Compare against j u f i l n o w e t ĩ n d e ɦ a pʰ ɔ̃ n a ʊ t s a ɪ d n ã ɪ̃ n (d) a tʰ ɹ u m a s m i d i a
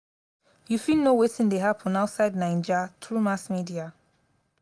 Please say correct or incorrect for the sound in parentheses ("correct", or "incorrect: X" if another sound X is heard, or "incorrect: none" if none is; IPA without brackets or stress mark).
incorrect: d͡ʒ